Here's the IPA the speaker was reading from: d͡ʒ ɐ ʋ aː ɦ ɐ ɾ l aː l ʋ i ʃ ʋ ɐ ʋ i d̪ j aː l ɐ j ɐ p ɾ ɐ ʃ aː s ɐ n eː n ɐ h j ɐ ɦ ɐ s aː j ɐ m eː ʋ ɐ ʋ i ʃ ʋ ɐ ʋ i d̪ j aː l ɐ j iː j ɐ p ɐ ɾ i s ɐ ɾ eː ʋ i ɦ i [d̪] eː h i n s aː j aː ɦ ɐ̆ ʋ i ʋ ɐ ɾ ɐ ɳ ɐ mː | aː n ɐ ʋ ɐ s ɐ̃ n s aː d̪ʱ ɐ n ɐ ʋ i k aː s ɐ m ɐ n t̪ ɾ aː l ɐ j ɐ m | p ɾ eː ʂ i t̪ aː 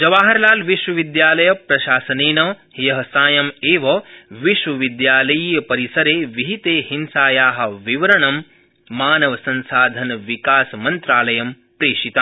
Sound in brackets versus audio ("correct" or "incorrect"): incorrect